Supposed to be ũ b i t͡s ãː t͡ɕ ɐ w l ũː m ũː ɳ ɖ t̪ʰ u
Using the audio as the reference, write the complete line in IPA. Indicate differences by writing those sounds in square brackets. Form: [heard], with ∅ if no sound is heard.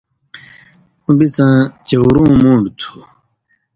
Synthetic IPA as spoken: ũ b i t͡s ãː t͡ɕ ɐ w [ɾ] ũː m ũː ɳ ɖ t̪ʰ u